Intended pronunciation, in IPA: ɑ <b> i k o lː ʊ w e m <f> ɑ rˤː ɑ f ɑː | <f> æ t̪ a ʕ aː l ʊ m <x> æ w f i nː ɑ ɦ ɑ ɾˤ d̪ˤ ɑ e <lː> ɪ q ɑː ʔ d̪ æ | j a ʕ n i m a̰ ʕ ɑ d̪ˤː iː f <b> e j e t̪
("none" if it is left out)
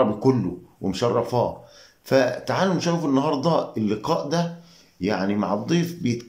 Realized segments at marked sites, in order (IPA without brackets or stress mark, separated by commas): b, ʃ, f, ʃ, lː, b